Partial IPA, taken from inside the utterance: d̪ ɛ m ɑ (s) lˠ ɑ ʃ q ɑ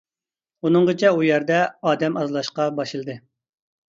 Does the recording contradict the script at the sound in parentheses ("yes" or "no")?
yes